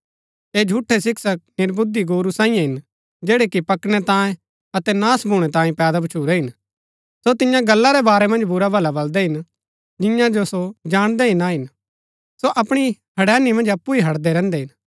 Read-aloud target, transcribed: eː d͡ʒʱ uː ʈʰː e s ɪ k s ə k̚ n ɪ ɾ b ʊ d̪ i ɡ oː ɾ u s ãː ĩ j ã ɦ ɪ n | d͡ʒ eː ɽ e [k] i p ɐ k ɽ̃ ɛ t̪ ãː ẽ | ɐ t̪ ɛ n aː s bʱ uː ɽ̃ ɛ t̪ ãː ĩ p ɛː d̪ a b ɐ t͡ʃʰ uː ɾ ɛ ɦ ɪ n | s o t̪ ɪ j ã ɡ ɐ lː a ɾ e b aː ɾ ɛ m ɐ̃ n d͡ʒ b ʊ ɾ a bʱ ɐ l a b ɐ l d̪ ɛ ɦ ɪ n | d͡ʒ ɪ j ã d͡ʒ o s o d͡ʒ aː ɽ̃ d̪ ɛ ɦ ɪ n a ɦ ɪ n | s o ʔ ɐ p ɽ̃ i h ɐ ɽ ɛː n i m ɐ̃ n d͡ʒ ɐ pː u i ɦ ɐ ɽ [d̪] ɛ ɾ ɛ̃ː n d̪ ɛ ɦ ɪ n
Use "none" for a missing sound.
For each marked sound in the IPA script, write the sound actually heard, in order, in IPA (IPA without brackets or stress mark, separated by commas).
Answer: k, d̪